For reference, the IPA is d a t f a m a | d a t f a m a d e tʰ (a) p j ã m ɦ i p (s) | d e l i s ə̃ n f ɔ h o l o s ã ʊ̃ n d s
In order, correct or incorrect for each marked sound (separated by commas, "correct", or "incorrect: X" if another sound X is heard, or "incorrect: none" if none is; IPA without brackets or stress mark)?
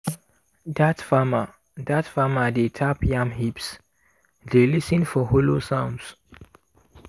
correct, correct